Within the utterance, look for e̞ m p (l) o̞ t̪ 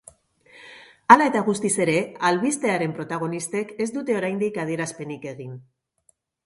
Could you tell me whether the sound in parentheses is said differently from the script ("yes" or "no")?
yes